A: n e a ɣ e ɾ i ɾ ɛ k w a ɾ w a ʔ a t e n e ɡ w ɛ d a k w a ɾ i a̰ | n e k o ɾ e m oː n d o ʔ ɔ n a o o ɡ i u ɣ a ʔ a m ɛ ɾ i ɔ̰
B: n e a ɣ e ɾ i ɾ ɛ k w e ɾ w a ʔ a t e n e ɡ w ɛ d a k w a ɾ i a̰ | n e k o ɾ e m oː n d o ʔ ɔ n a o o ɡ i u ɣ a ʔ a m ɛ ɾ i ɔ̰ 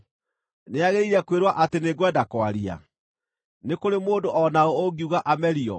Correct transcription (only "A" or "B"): B